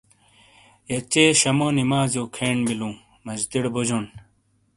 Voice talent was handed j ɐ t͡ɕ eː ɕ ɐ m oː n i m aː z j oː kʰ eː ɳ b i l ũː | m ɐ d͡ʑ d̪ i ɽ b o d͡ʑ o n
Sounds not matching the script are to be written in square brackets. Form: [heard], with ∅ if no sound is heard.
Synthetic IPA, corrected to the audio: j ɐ t͡ɕ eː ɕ ɐ m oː n i m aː z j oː kʰ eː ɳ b i l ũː | m ɐ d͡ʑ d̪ i ɽ b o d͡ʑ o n